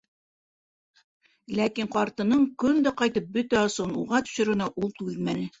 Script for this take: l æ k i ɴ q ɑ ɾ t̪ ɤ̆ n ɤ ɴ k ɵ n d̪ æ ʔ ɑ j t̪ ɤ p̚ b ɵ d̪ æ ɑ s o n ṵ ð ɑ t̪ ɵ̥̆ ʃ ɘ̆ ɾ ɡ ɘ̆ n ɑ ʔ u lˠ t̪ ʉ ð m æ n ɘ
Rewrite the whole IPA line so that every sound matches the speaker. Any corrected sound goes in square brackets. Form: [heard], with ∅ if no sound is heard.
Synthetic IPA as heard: l æ k i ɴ q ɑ ɾ t̪ ɤ̆ n ɤ ɴ k ɵ n d̪ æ [q] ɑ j t̪ ɤ p̚ b ɵ [t̪] æ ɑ s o n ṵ [ʁ] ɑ t̪ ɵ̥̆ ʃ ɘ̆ ɾ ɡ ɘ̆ n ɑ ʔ u lˠ t̪ ʉ ð m æ n ɘ